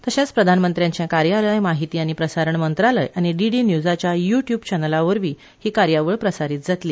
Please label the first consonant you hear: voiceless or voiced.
voiceless